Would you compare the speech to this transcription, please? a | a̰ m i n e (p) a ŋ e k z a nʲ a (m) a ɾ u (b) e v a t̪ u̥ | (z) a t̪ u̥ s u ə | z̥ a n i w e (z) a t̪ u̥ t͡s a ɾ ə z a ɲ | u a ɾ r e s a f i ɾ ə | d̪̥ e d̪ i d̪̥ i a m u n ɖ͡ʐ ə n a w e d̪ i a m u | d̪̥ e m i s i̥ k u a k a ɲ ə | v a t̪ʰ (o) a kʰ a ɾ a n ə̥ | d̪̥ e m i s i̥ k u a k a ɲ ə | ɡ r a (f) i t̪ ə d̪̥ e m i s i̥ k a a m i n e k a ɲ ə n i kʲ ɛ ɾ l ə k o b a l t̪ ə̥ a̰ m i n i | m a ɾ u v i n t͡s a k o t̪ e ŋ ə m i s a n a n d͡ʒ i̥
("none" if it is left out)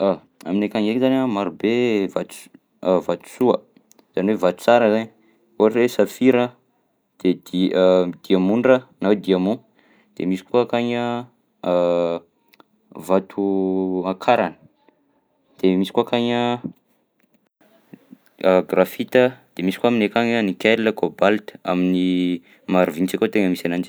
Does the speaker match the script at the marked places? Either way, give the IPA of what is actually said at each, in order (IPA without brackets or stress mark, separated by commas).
k, m, b, v, v, u, f